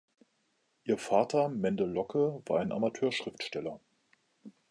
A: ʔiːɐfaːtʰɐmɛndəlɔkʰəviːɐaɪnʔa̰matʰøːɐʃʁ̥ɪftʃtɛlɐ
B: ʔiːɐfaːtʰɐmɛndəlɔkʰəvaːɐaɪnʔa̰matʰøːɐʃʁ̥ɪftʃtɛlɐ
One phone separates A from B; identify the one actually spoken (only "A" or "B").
B